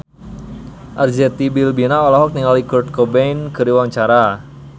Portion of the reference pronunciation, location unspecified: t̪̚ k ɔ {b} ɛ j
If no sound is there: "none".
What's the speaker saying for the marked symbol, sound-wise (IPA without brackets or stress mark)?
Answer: b